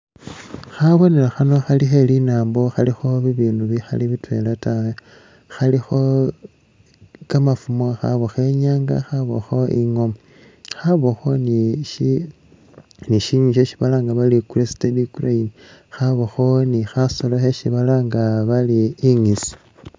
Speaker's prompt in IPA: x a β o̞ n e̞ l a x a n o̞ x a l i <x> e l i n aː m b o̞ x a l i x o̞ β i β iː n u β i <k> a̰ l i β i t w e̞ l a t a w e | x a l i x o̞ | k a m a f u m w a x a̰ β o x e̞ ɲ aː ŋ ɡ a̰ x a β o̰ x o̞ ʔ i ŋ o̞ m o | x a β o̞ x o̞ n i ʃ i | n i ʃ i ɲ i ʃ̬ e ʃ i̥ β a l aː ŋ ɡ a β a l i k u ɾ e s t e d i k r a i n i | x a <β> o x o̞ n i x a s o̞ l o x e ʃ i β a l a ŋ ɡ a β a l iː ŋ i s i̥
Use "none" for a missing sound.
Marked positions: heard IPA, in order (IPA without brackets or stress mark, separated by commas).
x, x, β